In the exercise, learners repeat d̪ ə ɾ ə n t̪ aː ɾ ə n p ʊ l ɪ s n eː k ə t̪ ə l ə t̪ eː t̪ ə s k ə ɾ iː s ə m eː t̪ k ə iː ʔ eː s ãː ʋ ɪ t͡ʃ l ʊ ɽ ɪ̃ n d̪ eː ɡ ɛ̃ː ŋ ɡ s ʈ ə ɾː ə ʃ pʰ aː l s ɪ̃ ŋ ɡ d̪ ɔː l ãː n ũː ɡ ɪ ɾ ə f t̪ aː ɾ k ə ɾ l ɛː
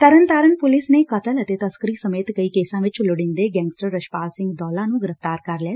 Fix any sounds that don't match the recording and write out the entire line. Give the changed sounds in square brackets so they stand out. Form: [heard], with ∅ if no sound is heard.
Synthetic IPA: [t̪] ə ɾ ə n t̪ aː ɾ ə n p ʊ l ɪ s n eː k ə t̪ ə l ə t̪ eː t̪ ə s k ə ɾ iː s ə m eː t̪ k ə iː [k] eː s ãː ʋ ɪ t͡ʃ l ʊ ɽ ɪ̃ n d̪ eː ɡ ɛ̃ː ŋ ɡ s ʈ ə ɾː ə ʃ [p] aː l s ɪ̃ ŋ ɡ d̪ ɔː l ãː n ũː ɡ ɪ ɾ ə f t̪ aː ɾ k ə ɾ l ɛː